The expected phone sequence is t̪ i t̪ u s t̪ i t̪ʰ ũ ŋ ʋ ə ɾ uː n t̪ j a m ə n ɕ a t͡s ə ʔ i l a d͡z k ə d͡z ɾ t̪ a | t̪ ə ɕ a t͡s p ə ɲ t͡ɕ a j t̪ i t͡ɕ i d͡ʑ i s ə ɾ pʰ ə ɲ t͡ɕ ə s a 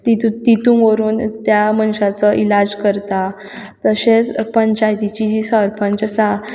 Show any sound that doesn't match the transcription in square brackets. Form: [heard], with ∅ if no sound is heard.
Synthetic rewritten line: t̪ i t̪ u [∅] t̪ i [t̪] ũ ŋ ʋ ə ɾ uː n t̪ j a m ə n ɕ a t͡s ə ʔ i l a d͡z k ə [∅] ɾ t̪ a | t̪ ə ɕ [e] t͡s p ə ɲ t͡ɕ a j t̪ i t͡ɕ i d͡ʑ i s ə ɾ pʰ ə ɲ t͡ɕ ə s a